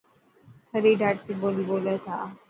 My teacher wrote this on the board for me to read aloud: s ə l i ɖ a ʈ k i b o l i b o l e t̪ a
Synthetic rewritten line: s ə ɾ i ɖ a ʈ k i b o l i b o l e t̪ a